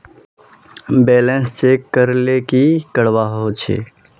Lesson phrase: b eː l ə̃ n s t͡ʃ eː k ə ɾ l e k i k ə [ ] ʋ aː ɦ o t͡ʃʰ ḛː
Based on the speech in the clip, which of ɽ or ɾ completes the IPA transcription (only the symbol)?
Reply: ɽ